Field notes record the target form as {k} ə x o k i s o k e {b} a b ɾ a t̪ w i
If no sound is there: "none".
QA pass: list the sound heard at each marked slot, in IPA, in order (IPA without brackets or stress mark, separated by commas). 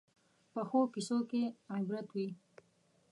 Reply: p, none